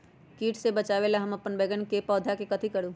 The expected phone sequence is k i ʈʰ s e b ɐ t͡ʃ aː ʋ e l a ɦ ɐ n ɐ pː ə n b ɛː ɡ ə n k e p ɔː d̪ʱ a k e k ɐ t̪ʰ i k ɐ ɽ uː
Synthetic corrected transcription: k iː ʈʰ s e b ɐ t͡ʃ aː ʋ e l a ɦ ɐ m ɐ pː ə n b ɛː ɡ ə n k e p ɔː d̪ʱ a k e k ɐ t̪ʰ i k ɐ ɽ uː